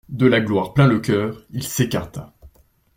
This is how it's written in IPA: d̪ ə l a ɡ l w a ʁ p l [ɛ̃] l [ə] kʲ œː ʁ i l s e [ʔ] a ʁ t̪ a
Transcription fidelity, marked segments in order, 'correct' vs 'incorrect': correct, correct, incorrect: k

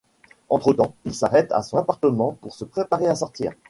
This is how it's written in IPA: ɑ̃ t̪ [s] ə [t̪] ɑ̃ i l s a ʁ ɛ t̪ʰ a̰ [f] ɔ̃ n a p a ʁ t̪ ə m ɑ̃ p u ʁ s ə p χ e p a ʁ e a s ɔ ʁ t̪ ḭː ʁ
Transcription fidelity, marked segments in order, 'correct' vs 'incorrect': incorrect: χ, correct, incorrect: s

